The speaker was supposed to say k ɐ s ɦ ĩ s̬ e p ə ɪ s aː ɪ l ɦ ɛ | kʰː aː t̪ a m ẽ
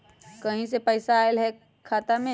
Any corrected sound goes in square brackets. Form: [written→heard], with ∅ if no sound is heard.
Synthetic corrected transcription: k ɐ [s→∅] ɦ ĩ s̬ e p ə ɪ s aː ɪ l ɦ ɛ | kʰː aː t̪ a m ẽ